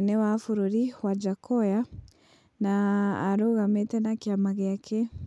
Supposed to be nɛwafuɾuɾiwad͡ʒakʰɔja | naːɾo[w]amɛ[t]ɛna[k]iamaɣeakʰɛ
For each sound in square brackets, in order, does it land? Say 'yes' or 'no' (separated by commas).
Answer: no, yes, yes